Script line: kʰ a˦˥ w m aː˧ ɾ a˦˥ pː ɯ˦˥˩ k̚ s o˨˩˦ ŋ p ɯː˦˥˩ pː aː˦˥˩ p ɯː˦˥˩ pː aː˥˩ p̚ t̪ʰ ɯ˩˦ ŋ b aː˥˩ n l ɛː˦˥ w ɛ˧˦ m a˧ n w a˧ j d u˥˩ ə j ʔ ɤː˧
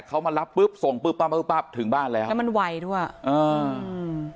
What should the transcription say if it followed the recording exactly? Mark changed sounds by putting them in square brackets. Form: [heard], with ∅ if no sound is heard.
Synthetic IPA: kʰ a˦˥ w m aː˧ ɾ a˦˥ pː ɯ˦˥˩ [p̚] s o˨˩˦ ŋ p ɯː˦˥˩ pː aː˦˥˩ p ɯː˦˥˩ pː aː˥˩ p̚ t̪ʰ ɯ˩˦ ŋ b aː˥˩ n l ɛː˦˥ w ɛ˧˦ m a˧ n w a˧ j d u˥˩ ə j ʔ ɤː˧